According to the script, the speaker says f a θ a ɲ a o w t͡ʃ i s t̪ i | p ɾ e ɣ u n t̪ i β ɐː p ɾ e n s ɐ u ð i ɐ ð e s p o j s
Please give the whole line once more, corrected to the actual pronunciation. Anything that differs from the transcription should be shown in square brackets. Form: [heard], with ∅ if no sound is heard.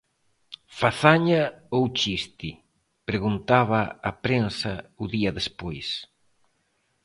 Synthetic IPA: f a θ a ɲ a o w t͡ʃ i s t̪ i | p ɾ e ɣ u n t̪ [a] β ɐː p ɾ e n s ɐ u ð i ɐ ð e s p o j s